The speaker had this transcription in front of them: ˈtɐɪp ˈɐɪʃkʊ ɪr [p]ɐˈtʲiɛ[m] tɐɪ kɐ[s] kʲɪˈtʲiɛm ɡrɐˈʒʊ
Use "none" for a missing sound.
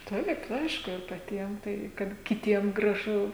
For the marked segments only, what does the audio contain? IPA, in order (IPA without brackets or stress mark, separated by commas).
p, m, t